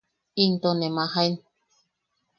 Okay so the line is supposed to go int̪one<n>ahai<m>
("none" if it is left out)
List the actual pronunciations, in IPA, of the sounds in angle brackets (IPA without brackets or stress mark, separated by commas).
m, n